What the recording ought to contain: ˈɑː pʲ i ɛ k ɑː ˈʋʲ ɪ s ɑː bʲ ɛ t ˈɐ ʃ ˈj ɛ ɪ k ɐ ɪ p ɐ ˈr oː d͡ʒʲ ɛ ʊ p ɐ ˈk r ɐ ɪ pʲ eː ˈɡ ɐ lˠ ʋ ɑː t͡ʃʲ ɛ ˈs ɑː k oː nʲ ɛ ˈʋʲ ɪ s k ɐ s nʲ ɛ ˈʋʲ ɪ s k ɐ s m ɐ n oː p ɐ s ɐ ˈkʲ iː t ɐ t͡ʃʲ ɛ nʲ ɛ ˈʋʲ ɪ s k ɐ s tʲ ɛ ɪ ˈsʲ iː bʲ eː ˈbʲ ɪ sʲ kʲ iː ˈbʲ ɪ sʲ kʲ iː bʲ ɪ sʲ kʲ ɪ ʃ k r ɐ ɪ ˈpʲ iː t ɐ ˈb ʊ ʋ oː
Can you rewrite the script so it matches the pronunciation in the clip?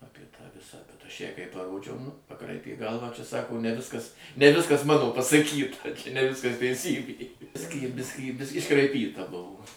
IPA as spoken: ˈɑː pʲ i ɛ t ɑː ˈʋʲ ɪ s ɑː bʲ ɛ t ˈɐ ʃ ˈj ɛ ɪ k ɐ ɪ p ɐ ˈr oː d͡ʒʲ ɛ ʊ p ɐ ˈk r ɐ ɪ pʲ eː ˈɡ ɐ lˠ ʋ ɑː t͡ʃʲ ɛ ˈs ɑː k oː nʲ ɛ ˈʋʲ ɪ s k ɐ s nʲ ɛ ˈʋʲ ɪ s k ɐ s m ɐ n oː p ɐ s ɐ ˈkʲ iː t ɐ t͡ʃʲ ɛ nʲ ɛ ˈʋʲ ɪ s k ɐ s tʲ ɛ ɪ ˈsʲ iː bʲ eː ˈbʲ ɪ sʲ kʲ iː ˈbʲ ɪ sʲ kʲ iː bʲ ɪ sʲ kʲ ɪ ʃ k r ɐ ɪ ˈpʲ iː t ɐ ˈb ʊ ʋ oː